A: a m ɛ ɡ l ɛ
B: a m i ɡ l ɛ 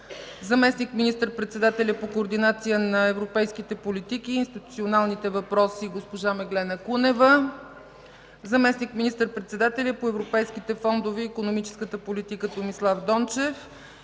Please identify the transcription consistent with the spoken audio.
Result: A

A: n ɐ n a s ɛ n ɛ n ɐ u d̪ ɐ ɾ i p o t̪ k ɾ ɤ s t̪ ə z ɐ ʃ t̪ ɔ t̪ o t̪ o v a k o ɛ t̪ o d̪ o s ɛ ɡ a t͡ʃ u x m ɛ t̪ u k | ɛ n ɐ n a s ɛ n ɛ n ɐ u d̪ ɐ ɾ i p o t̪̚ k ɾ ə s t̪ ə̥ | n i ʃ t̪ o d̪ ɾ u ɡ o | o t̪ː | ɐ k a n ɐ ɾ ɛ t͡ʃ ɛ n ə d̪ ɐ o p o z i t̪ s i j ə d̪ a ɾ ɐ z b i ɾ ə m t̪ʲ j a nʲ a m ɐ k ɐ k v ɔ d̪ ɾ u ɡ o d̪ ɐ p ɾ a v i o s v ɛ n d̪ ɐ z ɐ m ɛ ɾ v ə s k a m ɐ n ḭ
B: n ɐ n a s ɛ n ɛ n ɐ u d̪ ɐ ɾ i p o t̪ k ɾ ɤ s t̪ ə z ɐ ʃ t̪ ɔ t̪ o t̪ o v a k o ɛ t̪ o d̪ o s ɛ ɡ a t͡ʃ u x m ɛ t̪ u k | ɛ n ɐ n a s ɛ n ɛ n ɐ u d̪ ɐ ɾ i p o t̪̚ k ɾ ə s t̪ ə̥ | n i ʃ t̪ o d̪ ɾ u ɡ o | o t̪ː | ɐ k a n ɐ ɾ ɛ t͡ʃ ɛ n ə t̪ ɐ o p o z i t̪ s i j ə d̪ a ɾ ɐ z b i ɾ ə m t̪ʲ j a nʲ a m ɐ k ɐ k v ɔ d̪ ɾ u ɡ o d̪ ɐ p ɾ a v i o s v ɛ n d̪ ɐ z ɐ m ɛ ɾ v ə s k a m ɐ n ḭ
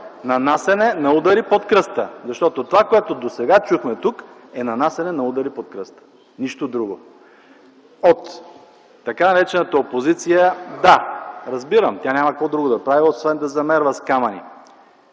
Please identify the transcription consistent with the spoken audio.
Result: B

